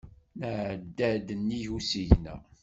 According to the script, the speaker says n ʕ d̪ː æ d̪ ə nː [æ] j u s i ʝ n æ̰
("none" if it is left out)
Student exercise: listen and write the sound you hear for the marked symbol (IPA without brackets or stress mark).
i